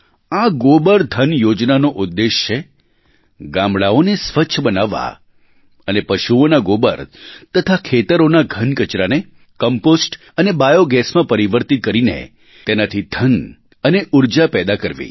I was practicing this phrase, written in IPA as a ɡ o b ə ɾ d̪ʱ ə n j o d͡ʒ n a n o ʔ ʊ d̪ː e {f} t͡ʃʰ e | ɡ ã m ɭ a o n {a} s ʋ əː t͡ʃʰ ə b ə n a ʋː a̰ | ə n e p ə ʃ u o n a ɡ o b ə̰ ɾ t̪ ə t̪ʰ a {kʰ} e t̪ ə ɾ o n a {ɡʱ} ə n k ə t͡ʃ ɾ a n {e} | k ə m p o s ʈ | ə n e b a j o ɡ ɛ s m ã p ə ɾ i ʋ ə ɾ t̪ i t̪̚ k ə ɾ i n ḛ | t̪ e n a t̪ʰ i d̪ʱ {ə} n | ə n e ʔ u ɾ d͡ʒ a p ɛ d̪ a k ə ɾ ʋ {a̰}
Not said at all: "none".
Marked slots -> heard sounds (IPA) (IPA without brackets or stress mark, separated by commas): ʃ, e, kʰ, ɡʱ, e, ə, ḭ